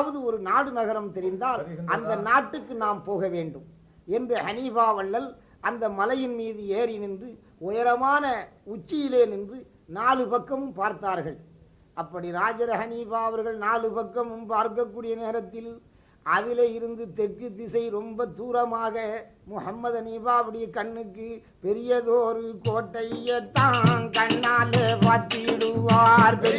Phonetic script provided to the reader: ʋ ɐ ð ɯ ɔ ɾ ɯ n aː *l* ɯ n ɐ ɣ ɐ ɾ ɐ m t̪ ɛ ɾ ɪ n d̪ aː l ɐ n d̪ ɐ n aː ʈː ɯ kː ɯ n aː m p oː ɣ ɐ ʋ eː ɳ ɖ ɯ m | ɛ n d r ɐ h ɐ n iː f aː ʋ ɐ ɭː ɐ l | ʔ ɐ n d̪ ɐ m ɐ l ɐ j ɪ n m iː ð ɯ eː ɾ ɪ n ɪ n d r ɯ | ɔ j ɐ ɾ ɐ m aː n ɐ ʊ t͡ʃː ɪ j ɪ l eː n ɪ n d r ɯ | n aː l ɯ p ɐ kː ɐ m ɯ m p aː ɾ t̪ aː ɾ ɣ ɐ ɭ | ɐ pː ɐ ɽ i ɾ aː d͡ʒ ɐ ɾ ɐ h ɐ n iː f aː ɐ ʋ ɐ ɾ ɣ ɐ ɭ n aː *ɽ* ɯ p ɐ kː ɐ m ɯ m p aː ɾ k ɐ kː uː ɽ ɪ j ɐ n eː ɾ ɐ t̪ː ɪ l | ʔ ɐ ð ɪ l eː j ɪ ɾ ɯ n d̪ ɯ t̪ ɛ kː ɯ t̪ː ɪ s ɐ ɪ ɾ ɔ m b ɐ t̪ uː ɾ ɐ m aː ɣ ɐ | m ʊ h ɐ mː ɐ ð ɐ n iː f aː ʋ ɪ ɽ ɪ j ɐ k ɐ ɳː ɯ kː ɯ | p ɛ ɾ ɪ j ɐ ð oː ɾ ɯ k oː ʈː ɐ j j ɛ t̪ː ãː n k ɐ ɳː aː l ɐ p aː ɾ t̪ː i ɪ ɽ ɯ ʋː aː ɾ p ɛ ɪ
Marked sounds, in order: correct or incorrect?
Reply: incorrect, incorrect

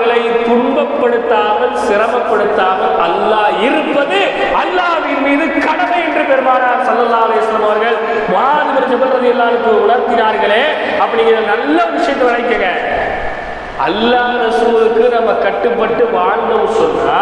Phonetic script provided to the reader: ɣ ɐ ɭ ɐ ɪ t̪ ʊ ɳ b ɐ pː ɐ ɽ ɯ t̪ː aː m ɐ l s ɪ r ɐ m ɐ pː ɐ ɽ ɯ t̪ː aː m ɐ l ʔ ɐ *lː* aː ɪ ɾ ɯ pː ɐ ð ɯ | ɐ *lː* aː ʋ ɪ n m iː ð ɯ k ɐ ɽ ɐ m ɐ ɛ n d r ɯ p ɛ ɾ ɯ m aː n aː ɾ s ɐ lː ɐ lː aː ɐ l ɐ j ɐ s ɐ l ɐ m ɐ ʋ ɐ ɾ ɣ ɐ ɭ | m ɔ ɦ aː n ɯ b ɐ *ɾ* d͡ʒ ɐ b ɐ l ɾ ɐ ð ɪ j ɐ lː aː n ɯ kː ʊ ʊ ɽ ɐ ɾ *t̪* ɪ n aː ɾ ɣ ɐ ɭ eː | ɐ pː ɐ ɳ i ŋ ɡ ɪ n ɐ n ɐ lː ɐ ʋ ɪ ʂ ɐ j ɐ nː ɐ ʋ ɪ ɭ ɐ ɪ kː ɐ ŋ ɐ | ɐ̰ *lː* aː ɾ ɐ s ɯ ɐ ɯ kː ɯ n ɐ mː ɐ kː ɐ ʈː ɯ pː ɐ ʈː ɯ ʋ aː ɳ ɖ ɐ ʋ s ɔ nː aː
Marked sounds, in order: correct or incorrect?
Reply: correct, correct, correct, correct, correct

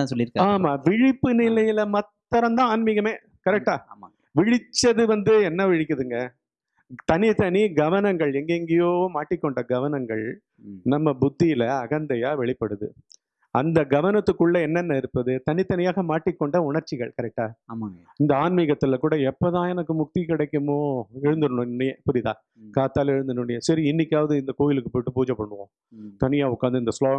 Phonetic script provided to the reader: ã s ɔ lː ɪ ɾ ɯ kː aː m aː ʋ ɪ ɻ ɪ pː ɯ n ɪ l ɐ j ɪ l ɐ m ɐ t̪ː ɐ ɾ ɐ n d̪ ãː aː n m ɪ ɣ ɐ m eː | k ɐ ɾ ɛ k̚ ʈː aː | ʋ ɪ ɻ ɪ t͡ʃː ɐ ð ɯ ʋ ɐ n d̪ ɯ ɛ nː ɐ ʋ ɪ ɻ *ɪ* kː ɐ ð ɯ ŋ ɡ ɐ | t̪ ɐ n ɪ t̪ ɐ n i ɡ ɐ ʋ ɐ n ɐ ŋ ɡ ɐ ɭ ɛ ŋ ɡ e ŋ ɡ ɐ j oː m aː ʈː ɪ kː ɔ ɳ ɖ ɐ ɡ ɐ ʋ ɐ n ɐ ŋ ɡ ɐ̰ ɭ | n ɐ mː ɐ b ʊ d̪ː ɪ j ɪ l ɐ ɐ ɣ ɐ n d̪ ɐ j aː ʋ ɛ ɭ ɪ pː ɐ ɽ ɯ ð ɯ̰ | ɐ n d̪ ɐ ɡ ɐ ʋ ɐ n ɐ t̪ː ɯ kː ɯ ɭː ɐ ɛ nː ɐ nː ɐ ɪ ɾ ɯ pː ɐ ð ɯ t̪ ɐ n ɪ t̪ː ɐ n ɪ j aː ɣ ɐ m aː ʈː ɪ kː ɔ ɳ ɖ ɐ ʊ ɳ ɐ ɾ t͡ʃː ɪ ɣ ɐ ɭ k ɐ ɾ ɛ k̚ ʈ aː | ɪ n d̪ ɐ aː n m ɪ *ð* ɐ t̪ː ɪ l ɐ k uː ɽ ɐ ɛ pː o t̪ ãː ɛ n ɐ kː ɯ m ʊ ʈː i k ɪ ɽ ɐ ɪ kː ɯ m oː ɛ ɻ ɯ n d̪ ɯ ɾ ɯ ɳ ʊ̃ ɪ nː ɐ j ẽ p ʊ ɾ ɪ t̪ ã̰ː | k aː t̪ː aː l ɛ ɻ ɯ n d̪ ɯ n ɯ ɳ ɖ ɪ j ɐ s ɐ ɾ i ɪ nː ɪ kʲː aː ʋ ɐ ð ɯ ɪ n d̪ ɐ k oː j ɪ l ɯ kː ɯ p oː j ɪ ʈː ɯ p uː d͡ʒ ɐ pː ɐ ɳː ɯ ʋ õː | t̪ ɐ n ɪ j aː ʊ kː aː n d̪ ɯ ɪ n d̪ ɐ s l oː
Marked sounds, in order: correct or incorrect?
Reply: correct, incorrect

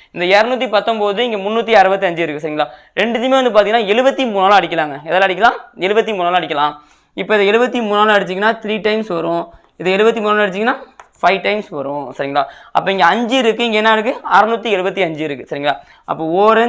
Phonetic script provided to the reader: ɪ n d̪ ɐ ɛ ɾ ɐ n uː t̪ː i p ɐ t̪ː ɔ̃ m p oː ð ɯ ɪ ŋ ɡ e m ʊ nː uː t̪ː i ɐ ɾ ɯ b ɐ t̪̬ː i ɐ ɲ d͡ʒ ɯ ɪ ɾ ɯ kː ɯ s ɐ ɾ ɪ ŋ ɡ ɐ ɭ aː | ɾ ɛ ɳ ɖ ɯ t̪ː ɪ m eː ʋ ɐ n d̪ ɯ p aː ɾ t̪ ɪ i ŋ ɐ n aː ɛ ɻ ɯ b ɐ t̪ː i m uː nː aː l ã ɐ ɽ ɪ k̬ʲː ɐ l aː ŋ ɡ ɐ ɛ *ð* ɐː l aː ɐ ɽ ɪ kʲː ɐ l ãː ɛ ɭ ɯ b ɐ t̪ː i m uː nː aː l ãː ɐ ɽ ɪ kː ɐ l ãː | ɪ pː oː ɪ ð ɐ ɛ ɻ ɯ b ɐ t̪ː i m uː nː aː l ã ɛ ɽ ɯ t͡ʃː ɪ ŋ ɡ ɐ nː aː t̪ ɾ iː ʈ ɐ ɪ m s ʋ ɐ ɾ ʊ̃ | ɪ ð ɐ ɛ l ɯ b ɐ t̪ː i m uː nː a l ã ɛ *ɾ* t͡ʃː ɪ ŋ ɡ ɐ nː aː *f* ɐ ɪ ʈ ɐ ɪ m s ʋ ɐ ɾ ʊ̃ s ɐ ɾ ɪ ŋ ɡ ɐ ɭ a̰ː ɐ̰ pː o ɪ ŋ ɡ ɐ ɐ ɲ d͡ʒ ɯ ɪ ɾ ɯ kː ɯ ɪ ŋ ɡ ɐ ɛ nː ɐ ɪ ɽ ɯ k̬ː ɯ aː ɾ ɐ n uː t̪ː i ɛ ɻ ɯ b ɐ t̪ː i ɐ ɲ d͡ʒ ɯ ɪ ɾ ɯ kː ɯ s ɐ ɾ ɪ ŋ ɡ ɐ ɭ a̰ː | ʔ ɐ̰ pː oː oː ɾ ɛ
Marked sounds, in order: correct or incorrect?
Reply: correct, incorrect, correct

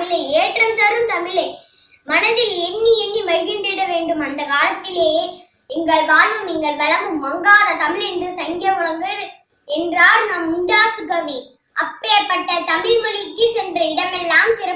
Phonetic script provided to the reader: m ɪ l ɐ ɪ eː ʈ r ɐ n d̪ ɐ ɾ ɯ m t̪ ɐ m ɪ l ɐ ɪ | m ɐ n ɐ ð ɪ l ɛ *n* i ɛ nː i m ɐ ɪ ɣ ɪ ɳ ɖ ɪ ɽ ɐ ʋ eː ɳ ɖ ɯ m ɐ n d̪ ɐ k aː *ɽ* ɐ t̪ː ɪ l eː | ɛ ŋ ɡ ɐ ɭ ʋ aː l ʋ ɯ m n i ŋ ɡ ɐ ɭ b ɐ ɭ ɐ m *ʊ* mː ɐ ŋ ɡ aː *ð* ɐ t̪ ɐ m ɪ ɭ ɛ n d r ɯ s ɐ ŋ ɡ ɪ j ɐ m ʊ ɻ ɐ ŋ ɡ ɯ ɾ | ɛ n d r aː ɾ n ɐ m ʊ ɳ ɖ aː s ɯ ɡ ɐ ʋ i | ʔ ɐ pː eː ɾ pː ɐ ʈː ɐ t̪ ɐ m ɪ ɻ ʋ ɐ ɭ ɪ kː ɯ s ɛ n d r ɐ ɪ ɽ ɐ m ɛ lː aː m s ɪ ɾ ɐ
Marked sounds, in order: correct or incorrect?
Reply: incorrect, incorrect, incorrect, correct

